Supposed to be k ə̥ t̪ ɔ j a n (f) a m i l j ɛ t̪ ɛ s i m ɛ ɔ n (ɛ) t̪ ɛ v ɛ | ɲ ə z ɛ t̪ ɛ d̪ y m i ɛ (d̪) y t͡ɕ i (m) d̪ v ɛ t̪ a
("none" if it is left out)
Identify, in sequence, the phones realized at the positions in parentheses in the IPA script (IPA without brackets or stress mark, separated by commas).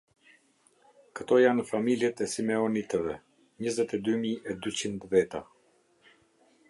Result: f, i, d̪, n